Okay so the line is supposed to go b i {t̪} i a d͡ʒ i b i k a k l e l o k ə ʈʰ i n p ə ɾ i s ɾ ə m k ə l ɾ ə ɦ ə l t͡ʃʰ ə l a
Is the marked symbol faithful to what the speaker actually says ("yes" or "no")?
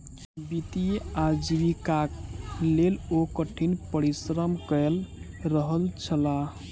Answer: yes